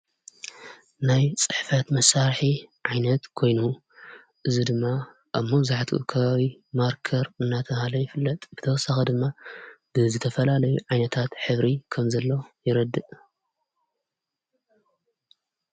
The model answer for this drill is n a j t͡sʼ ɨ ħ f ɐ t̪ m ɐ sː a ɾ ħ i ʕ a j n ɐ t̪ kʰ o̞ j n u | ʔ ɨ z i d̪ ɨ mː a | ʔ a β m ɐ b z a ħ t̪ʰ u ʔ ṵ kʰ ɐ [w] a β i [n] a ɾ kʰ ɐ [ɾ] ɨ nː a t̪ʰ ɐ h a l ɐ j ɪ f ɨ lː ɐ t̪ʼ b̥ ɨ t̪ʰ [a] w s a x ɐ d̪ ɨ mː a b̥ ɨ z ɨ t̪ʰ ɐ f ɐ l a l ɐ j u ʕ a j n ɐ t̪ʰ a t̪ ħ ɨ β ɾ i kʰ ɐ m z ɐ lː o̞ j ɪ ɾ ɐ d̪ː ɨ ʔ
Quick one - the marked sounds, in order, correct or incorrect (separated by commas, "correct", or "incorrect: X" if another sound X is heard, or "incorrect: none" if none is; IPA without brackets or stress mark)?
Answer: incorrect: β, incorrect: m, correct, incorrect: ɐ